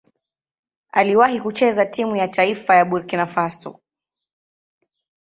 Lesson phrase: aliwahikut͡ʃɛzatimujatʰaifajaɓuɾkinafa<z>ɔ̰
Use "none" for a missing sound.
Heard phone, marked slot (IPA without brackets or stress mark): s